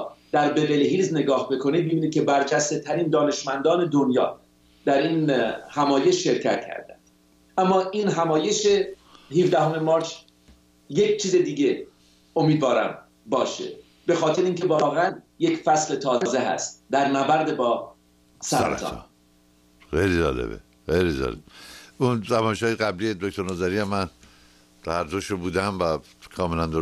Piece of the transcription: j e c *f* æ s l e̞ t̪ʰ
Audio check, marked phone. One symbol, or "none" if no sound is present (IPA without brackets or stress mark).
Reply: f